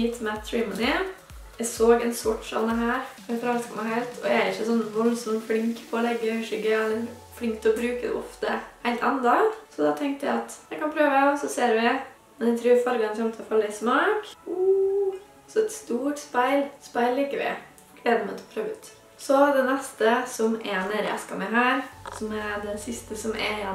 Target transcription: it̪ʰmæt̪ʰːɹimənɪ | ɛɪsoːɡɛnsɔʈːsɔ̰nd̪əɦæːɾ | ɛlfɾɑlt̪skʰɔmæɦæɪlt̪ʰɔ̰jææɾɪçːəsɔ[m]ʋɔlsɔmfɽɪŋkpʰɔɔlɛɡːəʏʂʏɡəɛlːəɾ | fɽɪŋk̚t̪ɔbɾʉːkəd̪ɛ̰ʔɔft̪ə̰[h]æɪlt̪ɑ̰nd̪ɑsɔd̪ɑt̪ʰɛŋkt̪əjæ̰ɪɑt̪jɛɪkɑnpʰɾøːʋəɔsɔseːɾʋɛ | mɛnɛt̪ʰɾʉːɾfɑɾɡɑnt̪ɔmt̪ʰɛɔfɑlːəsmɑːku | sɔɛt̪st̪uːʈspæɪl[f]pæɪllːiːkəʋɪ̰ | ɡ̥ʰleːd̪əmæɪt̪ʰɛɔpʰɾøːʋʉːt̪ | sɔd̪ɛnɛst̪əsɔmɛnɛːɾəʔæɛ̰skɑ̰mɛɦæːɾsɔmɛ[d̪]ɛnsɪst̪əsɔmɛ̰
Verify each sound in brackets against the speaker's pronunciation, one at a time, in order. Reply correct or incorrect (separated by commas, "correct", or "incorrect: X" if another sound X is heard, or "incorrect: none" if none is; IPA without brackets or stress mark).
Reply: incorrect: n, correct, incorrect: s, correct